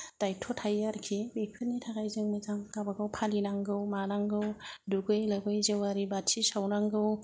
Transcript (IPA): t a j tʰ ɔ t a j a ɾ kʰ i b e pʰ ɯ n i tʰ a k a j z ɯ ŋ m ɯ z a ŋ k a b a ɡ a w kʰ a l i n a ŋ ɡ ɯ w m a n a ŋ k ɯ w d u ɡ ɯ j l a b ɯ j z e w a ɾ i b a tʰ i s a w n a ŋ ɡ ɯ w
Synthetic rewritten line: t a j tʰ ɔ tʰ a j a ɾ kʰ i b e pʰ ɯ n i tʰ a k a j z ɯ ŋ m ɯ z a ŋ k a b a ɡ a w pʰ a l i n a ŋ ɡ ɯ w m a n a ŋ ɡ ɯ w d u ɡ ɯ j l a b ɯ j z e w a ɾ i b a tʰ i s a w n a ŋ ɡ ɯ w

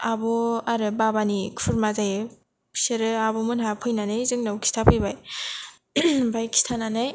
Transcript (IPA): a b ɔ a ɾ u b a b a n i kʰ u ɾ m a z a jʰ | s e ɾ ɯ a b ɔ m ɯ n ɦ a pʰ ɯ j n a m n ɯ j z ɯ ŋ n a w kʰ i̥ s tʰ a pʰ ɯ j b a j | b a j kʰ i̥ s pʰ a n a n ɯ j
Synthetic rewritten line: a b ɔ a ɾ ɯ b a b a n i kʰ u ɾ m a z a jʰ | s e ɾ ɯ a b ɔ m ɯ n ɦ a pʰ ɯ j n a n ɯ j z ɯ ŋ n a w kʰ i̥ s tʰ a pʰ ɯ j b a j | b a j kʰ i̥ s tʰ a n a n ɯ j

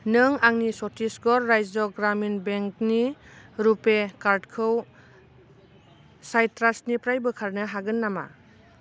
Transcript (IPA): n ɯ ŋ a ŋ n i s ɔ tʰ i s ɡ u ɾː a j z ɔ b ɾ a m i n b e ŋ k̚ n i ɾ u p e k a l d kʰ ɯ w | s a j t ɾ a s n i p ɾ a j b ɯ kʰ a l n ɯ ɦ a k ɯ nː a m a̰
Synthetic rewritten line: n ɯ ŋ a ŋ n i s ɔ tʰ i s ɡ ɔ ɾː a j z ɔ ɡ ɾ a m i n b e ŋ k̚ n i ɾ u p e k a ɾ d kʰ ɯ w | s a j t ɾ a s n i p ɾ a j b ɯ kʰ a ɾ n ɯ ɦ a ɡ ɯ nː a m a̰

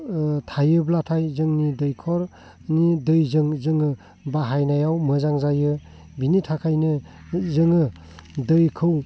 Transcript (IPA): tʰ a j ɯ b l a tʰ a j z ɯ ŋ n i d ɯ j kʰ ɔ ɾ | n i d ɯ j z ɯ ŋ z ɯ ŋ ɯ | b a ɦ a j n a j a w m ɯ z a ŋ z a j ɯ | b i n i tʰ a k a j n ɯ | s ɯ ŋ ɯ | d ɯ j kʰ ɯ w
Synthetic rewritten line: tʰ a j ɯ b l a tʰ a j z ɯ ŋ n i d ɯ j kʰ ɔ ɾ | n i d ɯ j z ɯ ŋ z ɯ ŋ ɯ | b a ɦ a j n a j a w m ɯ z a ŋ z a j ɯ | b i n i tʰ a kʰ a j n ɯ | z ɯ ŋ ɯ | d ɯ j kʰ ɯ w

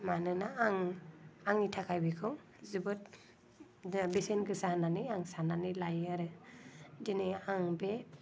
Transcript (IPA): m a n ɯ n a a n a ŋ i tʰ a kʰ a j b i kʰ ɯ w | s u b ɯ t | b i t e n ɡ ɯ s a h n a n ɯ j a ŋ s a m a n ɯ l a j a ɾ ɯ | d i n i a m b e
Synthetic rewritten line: m a n ɯ n a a ŋ a ŋ i tʰ a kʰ a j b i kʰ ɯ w | z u b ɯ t | b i s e n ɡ ɯ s a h n a n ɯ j a ŋ s a n a n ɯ l a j a ɾ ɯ | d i n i a ŋ b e

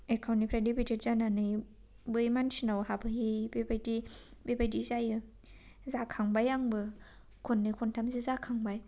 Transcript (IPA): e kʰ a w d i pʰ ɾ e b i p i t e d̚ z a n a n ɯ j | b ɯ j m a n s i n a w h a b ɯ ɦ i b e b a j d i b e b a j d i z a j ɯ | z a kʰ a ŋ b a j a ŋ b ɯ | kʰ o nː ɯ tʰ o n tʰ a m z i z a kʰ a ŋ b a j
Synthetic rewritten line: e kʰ a w n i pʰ ɾ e d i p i t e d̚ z a n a n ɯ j | b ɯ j m a n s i n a w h a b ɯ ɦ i b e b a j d i b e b a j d i z a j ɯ | z a kʰ a ŋ b a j a ŋ b ɯ | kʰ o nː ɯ kʰ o n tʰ a m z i z a kʰ a ŋ b a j

